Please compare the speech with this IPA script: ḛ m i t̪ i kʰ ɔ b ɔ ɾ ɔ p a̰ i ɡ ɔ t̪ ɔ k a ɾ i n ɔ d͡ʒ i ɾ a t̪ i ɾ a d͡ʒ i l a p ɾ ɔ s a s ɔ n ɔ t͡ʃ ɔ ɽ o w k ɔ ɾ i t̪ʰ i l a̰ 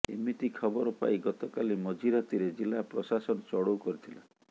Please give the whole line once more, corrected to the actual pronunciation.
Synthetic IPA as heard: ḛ m i t̪ i kʰ ɔ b ɔ ɾ ɔ p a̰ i ɡ ɔ t̪ ɔ k a l i m ɔ d͡ʒ i ɾ a t̪ i ɾ e d͡ʒ i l a p ɾ ɔ s a s ɔ n ɔ t͡ʃ ɔ ɽ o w k ɔ ɾ i t̪ʰ i l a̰